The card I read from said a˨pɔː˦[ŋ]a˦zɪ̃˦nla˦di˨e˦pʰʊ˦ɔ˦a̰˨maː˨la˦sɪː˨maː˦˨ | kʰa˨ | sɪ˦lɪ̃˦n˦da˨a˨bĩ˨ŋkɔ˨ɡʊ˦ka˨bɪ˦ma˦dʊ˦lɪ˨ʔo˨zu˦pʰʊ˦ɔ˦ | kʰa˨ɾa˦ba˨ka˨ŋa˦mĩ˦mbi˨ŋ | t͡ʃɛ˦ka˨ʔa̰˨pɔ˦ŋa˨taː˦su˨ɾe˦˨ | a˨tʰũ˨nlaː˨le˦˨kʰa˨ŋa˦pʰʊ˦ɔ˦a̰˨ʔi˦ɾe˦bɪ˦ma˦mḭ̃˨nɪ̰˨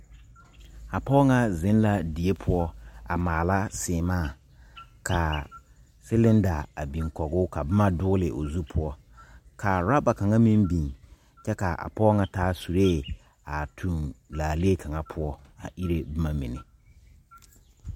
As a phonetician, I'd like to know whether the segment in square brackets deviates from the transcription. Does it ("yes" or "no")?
no